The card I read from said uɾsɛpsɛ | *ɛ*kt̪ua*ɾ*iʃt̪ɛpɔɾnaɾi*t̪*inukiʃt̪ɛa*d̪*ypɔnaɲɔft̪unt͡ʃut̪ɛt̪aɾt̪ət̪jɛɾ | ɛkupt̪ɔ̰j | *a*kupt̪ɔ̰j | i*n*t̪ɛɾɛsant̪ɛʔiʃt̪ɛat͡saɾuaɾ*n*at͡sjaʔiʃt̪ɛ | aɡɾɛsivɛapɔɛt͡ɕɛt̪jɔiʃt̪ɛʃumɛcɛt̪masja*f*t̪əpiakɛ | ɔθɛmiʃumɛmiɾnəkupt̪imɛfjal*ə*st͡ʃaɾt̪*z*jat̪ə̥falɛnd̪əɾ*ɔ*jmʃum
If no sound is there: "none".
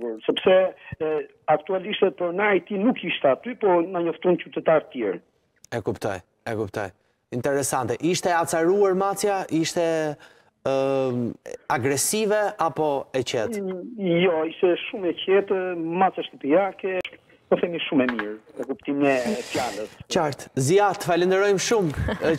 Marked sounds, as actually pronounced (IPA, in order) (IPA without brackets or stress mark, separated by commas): a, l, t̪, t̪, ɛ, n, m, ʃ, ə, z, ɔ